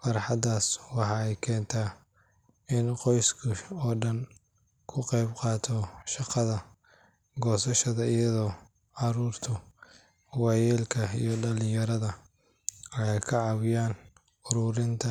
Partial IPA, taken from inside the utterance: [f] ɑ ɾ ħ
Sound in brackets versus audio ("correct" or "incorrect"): correct